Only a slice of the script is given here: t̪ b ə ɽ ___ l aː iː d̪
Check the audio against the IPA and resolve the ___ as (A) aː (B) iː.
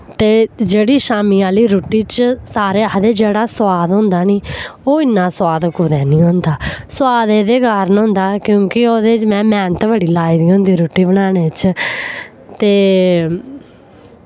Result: B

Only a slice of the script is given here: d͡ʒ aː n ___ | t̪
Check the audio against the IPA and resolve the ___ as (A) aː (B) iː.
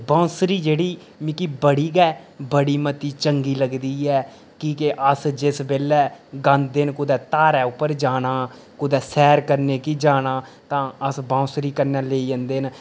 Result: A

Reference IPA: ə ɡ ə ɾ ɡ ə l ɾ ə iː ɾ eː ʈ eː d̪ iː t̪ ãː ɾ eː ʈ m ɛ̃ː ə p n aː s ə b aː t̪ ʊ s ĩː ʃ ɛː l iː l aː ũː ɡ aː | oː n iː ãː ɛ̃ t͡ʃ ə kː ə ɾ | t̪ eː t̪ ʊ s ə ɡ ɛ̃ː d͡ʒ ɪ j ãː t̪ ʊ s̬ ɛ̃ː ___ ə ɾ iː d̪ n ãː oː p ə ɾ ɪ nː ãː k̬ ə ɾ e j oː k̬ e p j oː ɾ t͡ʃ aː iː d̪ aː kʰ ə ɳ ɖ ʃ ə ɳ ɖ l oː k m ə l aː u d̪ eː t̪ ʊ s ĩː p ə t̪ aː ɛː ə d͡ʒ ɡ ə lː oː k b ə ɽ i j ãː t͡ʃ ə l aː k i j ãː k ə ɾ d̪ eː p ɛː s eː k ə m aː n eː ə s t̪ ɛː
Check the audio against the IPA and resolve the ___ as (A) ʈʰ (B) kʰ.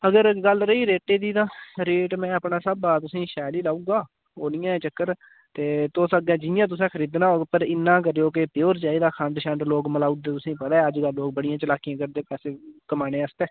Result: B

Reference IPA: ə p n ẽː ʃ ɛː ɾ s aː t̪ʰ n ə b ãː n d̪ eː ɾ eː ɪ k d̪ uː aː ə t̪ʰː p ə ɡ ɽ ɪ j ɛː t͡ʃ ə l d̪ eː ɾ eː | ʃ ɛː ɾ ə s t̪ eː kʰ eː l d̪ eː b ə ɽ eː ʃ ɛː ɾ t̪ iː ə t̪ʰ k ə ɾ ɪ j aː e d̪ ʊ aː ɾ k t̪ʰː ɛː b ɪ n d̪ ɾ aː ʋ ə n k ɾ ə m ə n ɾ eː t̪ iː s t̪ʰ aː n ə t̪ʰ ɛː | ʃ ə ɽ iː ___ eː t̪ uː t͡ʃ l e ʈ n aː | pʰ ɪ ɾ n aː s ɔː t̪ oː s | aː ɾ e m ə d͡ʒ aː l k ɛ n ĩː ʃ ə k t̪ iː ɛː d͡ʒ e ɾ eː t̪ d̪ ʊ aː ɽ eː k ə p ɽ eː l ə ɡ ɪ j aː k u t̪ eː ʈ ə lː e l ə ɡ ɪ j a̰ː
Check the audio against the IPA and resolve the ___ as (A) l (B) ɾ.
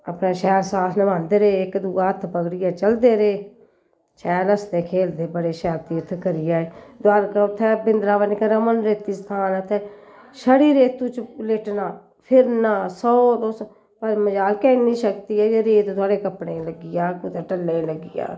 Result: B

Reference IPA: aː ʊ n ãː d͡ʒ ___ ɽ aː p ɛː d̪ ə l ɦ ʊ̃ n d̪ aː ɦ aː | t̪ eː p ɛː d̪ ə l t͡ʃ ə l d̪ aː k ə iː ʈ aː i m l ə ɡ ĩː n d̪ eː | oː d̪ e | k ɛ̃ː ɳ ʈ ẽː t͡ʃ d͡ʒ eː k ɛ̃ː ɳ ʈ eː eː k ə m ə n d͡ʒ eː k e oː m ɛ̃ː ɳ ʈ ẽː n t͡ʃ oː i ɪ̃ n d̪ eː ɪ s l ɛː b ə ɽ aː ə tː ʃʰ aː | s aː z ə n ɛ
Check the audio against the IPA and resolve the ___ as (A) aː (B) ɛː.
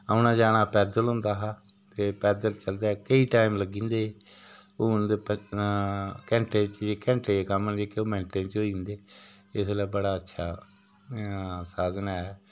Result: A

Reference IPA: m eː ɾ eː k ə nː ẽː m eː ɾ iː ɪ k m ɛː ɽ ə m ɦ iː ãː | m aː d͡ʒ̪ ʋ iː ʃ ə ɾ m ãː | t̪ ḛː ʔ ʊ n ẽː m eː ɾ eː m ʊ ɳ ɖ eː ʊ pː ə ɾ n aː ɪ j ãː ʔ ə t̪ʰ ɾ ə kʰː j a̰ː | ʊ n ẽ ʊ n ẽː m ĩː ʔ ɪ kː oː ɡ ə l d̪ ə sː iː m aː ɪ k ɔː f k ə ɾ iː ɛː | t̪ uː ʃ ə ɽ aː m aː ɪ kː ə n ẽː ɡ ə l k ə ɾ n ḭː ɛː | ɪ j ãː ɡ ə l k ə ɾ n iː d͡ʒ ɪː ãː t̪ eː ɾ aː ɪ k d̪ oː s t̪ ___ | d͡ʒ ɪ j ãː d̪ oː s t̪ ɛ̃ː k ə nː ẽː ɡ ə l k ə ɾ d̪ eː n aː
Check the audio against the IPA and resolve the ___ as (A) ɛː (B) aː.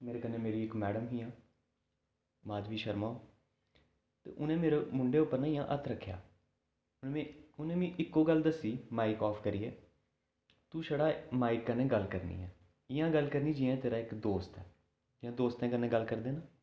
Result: A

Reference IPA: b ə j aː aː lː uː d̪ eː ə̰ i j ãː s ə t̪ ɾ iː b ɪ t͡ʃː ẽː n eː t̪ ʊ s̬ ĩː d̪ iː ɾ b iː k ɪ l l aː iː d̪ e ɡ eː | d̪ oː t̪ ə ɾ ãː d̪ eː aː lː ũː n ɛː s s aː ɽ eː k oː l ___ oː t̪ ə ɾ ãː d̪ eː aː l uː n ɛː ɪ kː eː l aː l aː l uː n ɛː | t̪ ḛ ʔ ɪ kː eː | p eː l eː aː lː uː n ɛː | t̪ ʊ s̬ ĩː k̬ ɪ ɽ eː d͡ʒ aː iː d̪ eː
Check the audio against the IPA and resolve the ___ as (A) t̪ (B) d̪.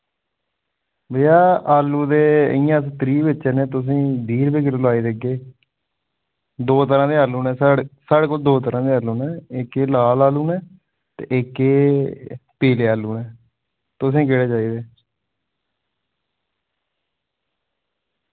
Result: B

